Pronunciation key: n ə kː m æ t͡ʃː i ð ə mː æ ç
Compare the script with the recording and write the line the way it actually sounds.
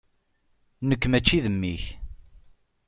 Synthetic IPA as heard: n ə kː m æ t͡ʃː i ð ə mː i ç

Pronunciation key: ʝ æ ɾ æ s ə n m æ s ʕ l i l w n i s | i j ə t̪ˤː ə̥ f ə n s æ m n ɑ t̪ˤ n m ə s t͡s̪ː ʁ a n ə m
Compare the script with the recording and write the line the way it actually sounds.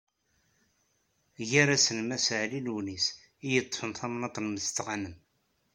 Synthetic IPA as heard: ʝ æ ɾ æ s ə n m æ s ʕ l i l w n i s | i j ə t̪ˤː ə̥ f ə n θ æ m n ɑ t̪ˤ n m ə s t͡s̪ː ʁ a n ə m

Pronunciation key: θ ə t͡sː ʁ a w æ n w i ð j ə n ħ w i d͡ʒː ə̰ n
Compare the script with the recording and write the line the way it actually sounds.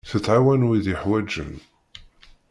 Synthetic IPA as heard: θ ə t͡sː ʕ a w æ n w i ð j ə ħ w æ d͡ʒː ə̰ n

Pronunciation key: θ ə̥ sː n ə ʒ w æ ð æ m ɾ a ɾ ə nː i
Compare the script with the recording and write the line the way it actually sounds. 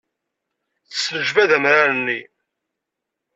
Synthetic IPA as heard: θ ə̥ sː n ə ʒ v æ ð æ m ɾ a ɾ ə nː i

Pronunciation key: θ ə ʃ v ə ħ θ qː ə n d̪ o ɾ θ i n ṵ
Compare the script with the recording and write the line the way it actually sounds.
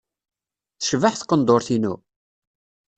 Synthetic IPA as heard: θ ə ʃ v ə ħ θ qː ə n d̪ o ɾ θ i n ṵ

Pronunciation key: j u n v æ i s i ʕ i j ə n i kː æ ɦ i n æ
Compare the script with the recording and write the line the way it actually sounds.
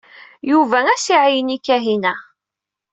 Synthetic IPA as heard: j u v æ æ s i ʕ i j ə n i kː æ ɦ i n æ

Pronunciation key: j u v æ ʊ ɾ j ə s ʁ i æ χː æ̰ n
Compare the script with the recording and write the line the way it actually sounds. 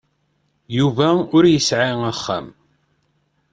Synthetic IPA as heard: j u v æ ʊ ɾ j ə s ʕ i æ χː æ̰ m

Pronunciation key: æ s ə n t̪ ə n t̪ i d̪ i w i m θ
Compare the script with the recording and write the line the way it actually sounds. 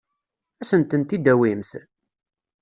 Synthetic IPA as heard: æ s ə n t̪ ə n t̪ i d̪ æ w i m θ

